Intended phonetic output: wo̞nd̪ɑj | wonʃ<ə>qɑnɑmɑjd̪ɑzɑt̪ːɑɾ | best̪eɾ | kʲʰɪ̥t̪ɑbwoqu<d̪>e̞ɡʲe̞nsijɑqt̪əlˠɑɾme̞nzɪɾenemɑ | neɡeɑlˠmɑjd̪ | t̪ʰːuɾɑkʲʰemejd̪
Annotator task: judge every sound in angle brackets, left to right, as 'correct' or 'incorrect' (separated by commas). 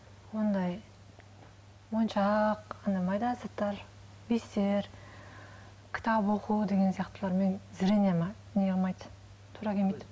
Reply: incorrect, correct